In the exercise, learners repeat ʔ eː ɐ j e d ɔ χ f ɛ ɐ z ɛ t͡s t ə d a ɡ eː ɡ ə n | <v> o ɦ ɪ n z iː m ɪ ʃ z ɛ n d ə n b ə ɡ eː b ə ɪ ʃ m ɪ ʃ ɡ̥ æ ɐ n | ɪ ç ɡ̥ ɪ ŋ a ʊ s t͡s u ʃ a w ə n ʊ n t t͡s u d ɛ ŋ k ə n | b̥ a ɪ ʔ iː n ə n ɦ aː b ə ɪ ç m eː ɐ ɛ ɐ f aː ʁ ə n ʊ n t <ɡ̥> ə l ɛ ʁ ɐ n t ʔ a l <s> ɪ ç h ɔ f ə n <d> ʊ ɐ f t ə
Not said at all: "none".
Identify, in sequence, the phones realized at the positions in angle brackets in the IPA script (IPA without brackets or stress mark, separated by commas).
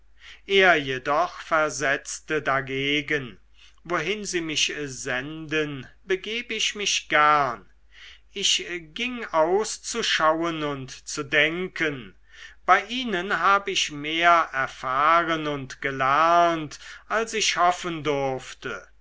v, ɡ̥, s, d